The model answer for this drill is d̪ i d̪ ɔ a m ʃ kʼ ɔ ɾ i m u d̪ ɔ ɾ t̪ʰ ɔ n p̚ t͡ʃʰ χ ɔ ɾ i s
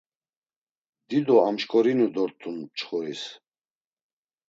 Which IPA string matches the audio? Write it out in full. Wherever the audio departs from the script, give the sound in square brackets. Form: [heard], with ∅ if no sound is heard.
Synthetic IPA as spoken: d̪ i d̪ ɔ a m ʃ kʼ ɔ ɾ i [n] u d̪ ɔ ɾ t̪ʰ [u] n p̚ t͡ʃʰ χ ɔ ɾ i s